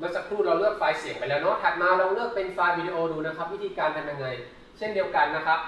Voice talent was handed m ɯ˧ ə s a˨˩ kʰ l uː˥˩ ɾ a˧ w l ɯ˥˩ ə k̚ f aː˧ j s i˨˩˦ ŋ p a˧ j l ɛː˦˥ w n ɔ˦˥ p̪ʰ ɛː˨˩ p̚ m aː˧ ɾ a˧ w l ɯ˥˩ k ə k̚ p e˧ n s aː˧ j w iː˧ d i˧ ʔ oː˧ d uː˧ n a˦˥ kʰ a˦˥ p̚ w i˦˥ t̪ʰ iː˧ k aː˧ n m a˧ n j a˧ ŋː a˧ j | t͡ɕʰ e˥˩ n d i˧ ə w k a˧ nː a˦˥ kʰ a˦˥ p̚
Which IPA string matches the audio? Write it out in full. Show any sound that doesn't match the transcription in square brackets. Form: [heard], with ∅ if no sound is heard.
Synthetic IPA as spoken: m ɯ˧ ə s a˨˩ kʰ [ɾ] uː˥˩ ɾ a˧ w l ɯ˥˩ ə k̚ f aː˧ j s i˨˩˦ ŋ p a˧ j l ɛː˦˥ w n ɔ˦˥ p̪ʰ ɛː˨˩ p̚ m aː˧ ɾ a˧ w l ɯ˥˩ [∅] ə k̚ p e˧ n [f] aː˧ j w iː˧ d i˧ ʔ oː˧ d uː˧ n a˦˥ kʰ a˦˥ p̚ w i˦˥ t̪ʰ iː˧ k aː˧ n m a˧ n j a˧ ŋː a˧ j | t͡ɕʰ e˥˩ n d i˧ ə w k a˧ nː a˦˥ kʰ a˦˥ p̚